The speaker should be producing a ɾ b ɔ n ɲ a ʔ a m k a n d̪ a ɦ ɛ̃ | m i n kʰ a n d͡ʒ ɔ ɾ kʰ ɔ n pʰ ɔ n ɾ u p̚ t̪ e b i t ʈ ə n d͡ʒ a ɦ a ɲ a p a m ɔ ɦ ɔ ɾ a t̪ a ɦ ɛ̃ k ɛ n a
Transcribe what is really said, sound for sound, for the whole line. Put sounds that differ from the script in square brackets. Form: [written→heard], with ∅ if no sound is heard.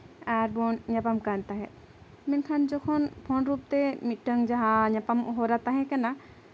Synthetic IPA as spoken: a ɾ b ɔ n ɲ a [ʔ→p] a m k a n [d̪→t̪] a ɦ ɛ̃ | m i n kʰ a n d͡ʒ ɔ [ɾ→∅] kʰ ɔ n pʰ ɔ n ɾ u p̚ t̪ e [b→m] i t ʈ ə [n→ŋ] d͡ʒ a ɦ a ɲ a p a m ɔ ɦ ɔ ɾ a t̪ a ɦ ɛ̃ k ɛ n a

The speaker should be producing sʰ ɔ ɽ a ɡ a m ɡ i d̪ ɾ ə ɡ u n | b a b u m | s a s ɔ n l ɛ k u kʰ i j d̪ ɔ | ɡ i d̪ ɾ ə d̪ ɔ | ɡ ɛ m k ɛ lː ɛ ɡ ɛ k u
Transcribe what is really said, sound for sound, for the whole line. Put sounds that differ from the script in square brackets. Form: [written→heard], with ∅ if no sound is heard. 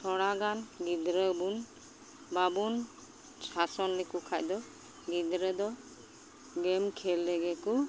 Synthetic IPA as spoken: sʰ ɔ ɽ a ɡ a [m→n] ɡ i d̪ ɾ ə [ɡ→b] u n | b a b u [m→n] | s a s ɔ n l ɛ k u kʰ [i→a] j d̪ ɔ | ɡ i d̪ ɾ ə d̪ ɔ | ɡ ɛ m [k→kʰ] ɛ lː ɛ ɡ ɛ k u

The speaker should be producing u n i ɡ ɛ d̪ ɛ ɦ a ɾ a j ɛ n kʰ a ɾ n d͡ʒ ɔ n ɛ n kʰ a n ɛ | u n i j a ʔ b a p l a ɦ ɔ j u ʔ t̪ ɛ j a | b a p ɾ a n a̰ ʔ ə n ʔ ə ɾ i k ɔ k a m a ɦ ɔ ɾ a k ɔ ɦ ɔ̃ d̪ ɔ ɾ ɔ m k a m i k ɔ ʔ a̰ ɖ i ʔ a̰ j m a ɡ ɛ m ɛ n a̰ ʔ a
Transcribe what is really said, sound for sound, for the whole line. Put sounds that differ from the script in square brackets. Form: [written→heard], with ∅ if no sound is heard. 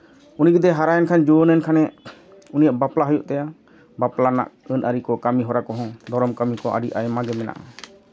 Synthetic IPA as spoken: u n i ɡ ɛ d̪ ɛ ɦ a ɾ a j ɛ n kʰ a [ɾ→∅] n d͡ʒ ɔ n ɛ n kʰ a n ɛ | u n i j a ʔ b a p l a ɦ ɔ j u ʔ t̪ ɛ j a | b a p [ɾ→l] a n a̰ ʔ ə n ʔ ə ɾ i k ɔ k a m [a→i] ɦ ɔ ɾ a k ɔ ɦ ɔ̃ d̪ ɔ ɾ ɔ m k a m i k ɔ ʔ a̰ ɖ i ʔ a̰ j m a ɡ ɛ m ɛ n a̰ ʔ a

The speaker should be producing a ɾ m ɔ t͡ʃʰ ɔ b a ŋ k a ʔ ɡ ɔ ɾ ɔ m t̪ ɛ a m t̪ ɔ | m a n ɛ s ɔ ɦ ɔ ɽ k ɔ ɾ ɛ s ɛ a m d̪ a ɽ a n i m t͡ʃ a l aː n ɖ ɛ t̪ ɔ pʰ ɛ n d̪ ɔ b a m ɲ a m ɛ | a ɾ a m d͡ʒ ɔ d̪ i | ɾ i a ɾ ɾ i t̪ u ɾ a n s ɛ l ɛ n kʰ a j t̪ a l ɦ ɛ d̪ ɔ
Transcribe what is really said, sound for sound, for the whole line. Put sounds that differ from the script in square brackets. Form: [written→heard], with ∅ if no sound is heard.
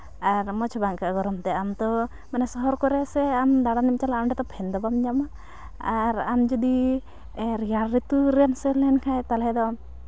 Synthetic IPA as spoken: a ɾ m ɔ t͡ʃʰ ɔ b a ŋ k a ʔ ɡ ɔ ɾ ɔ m t̪ ɛ a m t̪ ɔ | m a n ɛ s ɔ ɦ ɔ [ɽ→ɾ] k ɔ ɾ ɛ s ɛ a m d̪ a ɽ a n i m t͡ʃ a l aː [n→m] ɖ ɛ t̪ ɔ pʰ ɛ n d̪ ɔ b a m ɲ a m [ɛ→a] | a ɾ a m d͡ʒ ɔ d̪ i | ɾ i a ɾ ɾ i t̪ u ɾ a n s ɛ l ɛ n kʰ a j t̪ a l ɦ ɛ d̪ ɔ

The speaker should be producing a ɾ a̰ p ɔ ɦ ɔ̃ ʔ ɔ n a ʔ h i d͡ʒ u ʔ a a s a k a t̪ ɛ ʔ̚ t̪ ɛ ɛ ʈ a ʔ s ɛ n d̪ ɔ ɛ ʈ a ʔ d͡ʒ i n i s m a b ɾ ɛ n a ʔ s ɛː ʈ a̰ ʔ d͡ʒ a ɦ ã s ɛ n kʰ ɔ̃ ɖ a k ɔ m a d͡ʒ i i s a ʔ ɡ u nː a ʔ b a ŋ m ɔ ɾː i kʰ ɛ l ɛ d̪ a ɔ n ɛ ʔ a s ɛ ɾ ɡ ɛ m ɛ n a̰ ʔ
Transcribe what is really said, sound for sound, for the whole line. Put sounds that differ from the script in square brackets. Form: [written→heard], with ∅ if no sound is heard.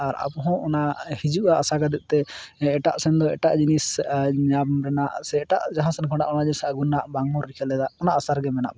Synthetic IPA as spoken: a ɾ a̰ p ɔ ɦ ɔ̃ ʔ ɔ n a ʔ h i d͡ʒ u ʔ a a s a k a [t̪→d̪] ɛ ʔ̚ t̪ ɛ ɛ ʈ a ʔ s ɛ n d̪ ɔ ɛ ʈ a ʔ d͡ʒ i n i s [m→ɲ] a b ɾ ɛ n a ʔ s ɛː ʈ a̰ ʔ d͡ʒ a ɦ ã s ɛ n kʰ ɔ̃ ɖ a [k→ʔ] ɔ [m→n] a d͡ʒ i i s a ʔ ɡ u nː a ʔ b a ŋ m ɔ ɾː i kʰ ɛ l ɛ d̪ a ɔ n [ɛ→a] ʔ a s [ɛ→a] ɾ ɡ ɛ m ɛ n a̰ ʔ

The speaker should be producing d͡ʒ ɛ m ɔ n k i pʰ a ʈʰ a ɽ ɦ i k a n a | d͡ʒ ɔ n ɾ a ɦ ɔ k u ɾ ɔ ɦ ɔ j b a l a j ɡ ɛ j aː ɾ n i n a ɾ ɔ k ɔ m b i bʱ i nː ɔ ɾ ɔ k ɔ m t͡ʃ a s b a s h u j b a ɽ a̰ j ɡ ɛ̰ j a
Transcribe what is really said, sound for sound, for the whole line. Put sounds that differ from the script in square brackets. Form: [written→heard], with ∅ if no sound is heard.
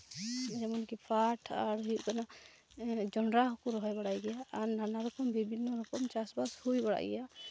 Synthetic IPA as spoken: d͡ʒ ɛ m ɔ n k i pʰ a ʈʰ a [ɽ→ɾ] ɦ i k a n a | d͡ʒ ɔ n ɾ a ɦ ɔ k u ɾ ɔ ɦ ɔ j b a [l→ɽ] a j ɡ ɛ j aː ɾ n [i→a] n a ɾ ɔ k ɔ m b i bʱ i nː ɔ ɾ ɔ k ɔ m t͡ʃ a s b a s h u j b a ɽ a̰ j ɡ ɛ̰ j a

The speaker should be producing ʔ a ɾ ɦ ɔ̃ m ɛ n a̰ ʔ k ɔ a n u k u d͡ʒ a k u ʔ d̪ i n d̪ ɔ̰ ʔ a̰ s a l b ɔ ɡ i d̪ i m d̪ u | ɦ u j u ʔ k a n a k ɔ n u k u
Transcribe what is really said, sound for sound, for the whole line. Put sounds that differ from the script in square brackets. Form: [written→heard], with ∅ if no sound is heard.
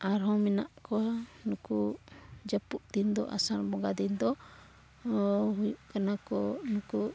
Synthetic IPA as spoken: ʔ a ɾ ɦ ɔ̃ m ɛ n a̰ ʔ k ɔ a n u k u d͡ʒ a [k→p] u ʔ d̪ i n d̪ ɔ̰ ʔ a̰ s a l b ɔ ɡ [i→a] d̪ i [m→n] d̪ [u→ɔ] | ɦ u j u ʔ k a n a k ɔ n u k u

